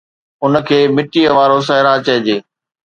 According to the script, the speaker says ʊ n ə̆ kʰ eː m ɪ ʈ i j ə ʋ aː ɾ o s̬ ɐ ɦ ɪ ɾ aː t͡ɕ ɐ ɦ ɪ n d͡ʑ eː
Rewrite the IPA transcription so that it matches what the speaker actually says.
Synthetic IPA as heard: ʊ n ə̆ kʰ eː m ɪ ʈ i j ə ʋ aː ɾ o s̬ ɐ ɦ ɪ ɾ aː t͡ɕ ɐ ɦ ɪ d͡ʑ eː